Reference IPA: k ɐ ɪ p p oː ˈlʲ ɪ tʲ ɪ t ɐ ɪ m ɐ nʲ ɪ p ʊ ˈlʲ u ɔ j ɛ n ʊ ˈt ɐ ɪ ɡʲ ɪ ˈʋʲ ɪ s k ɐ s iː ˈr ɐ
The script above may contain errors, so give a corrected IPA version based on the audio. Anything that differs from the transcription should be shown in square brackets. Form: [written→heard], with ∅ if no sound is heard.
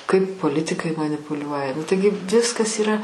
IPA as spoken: k ɐ ɪ p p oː ˈlʲ ɪ tʲ ɪ [t→k] ɐ ɪ m ɐ nʲ ɪ p ʊ ˈlʲ u ɔ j ɛ n ʊ ˈt ɐ ɪ ɡʲ ɪ ˈʋʲ ɪ s k ɐ s iː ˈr ɐ